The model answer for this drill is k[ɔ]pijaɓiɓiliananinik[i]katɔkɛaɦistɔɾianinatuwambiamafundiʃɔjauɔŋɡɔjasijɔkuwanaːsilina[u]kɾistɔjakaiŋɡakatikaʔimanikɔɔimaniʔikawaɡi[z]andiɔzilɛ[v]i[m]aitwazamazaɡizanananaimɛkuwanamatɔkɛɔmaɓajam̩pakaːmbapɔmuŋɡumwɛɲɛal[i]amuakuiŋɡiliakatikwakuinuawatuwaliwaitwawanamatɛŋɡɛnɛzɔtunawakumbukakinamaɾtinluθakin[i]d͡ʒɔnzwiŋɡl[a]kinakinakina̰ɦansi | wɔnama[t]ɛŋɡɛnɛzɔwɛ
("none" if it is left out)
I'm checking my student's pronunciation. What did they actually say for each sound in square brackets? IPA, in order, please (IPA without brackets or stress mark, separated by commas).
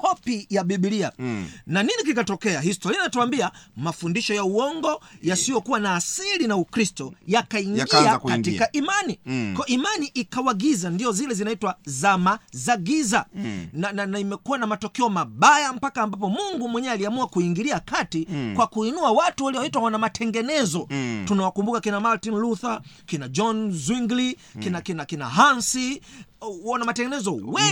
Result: ɔ, i, u, z, z, n, i, a, i, t